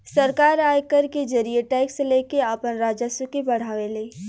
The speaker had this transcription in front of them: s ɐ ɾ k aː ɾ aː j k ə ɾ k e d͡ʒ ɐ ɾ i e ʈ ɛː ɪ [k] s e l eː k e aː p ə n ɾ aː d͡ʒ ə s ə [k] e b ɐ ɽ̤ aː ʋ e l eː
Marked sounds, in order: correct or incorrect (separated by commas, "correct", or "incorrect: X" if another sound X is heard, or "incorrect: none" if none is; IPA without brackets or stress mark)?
correct, correct